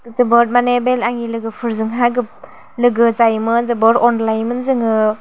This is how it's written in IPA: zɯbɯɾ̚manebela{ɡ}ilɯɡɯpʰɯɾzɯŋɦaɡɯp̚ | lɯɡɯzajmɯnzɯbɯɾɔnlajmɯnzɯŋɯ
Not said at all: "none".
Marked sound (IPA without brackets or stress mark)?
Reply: ŋ